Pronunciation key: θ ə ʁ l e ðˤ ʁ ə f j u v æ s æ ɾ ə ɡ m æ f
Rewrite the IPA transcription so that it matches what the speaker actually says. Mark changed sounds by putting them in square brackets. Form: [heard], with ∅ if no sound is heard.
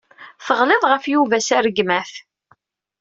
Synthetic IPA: θ ə ʁ l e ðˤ ʁ ə f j u v æ s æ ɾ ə ɡ m æ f